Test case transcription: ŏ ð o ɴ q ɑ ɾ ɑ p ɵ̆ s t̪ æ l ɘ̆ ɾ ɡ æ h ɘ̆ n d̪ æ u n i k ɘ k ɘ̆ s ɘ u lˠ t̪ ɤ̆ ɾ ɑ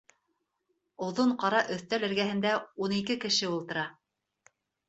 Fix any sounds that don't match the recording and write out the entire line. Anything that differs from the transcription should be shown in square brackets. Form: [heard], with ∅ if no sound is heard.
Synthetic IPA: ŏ ð o ɴ q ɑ ɾ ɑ [ʔ] ɵ̆ [θ] t̪ æ l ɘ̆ ɾ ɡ æ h ɘ̆ n d̪ æ u n i k ɘ k ɘ̆ [ʃ] ɘ u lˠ t̪ ɤ̆ ɾ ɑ